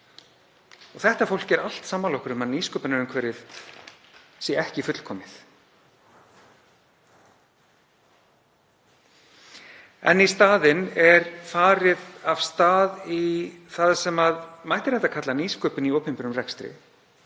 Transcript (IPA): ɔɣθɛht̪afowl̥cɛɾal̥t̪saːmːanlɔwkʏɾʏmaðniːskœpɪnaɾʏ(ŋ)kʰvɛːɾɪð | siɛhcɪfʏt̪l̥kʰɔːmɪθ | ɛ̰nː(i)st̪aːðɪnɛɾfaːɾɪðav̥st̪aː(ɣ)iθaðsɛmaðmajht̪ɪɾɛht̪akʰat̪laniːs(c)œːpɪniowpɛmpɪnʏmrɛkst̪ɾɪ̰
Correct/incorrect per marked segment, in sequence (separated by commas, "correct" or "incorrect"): incorrect, correct, incorrect, incorrect